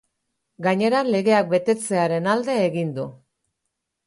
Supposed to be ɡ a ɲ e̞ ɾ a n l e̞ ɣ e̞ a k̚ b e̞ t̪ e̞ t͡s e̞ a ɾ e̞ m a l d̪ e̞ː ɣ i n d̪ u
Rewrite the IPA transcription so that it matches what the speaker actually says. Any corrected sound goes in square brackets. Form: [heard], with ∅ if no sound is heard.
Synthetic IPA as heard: ɡ a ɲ e̞ ɾ a n l e̞ ɣ e̞ a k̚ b e̞ t̪ e̞ t͡s e̞ a ɾ e̞ [n] a l d̪ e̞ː ɣ i n d̪ u